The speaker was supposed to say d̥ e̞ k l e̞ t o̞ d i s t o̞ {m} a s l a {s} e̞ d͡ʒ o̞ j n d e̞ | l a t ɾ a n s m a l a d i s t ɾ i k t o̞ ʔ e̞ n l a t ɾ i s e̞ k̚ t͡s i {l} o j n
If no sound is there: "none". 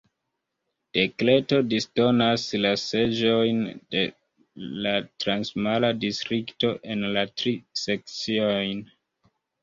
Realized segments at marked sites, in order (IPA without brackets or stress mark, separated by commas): n, s, none